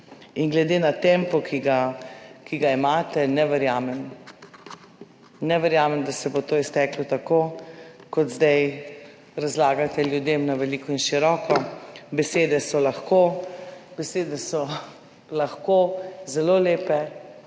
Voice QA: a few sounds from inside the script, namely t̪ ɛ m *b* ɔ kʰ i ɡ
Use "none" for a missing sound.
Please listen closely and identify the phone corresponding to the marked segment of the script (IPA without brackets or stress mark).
p